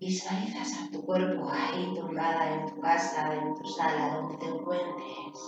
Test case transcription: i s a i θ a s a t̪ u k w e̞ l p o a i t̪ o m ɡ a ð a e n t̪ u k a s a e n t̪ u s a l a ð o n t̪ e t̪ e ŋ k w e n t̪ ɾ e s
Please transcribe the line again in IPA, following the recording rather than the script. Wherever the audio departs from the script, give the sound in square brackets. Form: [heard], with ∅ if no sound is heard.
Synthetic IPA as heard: i s a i θ a s a t̪ u k w e̞ [ɾ] p o a i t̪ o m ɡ a ð a e n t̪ u k a s a e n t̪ u s a l a ð o n [d̪] e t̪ e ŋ k w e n t̪ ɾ e s